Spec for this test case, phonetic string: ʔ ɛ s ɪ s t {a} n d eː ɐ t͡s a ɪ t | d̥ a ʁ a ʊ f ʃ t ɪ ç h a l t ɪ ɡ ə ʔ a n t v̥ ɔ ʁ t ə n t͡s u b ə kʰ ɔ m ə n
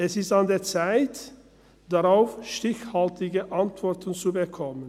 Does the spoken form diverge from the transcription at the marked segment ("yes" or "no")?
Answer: no